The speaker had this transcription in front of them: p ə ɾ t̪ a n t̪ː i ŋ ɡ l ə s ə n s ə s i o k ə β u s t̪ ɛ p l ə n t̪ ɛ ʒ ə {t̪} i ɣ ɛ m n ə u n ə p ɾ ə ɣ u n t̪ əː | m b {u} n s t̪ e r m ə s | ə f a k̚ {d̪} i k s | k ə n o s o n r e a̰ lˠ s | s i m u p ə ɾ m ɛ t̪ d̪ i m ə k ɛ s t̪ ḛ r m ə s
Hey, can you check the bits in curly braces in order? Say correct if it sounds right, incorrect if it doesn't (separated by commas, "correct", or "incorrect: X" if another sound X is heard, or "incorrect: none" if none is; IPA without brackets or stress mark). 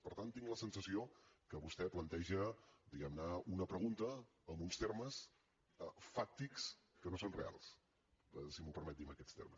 incorrect: d̪, correct, incorrect: t̪